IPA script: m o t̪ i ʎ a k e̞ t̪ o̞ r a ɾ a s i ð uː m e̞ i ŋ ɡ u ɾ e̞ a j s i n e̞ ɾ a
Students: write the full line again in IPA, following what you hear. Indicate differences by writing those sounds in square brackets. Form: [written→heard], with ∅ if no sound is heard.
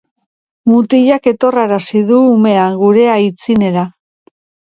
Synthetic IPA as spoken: m [o→u] t̪ i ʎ a k e̞ t̪ o̞ r a ɾ a s i ð uː m e̞ [i→a] ŋ ɡ u ɾ e̞ a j [s→t͡s] i n e̞ ɾ a